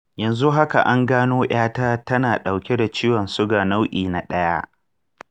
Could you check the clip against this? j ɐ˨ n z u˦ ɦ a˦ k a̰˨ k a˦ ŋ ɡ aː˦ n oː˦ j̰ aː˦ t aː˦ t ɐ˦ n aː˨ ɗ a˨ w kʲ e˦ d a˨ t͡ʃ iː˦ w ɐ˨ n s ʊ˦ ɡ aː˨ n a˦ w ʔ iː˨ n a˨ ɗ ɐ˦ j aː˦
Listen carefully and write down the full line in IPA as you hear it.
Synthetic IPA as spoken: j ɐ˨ n z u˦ ɦ a˦ k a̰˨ ʔ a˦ ŋ ɡ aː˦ n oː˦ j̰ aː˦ t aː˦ t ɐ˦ n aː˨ ɗ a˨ w kʲ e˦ d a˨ t͡ʃ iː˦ w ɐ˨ n s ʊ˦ ɡ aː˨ n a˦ w ʔ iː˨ n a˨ ɗ ɐ˦ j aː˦